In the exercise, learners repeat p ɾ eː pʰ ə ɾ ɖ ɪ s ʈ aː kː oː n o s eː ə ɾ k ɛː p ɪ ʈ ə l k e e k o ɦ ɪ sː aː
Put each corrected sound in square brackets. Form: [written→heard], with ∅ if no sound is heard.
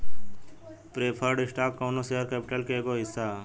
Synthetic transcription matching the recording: p ɾ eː pʰ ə ɾ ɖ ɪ s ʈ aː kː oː n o s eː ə ɾ k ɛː p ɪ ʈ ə l k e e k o ɦ ɪ sː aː